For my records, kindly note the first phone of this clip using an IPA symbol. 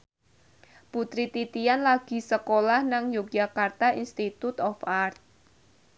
p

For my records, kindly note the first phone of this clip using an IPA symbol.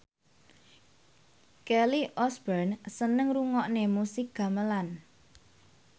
k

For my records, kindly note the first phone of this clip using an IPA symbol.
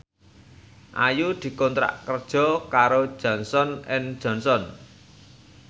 ʔ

